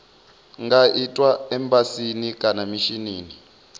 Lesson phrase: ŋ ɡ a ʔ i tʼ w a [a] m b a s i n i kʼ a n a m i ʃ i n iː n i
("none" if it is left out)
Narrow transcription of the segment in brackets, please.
ɛ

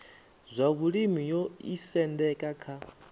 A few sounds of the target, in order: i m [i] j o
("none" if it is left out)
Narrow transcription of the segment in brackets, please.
i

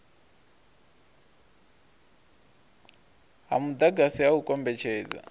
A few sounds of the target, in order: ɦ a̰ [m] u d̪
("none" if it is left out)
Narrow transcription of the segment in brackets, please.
m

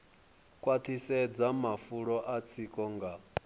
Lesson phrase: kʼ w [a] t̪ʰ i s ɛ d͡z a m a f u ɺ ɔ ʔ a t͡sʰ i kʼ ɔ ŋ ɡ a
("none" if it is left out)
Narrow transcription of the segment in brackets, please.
a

